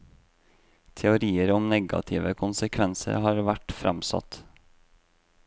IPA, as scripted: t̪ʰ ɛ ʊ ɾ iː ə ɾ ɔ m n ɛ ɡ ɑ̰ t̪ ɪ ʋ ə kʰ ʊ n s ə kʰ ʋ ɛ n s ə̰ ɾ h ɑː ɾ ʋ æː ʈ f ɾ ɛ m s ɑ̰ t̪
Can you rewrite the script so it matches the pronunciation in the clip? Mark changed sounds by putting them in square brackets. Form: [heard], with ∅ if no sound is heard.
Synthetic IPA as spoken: t̪ʰ ɛ ʊ ɾ iː ə ɾ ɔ m n ɛ ɡ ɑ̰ [t̪ʰ] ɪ ʋ ə kʰ ʊ n s ə kʰ ʋ ɛ n s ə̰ ɾ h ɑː ɾ ʋ [æ] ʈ f ɾ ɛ m s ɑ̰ t̪